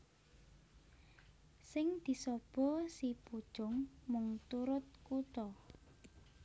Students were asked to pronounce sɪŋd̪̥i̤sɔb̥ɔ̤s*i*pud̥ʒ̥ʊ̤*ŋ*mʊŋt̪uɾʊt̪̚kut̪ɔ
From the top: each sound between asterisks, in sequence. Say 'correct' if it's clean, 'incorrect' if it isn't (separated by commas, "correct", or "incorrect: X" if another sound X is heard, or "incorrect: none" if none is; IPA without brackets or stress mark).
correct, correct